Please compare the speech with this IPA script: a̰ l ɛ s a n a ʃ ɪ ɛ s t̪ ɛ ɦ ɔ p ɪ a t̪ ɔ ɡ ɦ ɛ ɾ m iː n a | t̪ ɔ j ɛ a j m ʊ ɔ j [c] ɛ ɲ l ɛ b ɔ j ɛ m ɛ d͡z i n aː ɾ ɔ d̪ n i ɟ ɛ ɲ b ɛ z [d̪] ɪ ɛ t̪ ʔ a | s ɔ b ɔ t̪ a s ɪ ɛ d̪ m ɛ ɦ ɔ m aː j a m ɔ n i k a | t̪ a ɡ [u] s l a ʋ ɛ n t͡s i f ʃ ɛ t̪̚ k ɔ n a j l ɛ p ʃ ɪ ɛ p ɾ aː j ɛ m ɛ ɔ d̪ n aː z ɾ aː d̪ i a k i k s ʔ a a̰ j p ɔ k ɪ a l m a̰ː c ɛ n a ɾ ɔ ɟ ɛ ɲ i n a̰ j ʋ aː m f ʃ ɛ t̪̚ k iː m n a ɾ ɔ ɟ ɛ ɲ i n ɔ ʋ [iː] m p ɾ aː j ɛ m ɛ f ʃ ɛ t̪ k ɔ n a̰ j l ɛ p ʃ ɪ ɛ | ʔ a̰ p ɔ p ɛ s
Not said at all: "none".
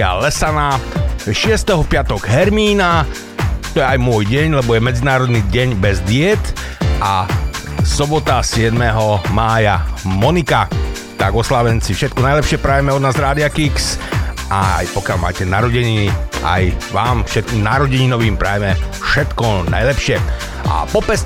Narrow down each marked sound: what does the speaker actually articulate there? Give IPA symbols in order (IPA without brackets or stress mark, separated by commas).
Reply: ɟ, d̪, ɔ, iː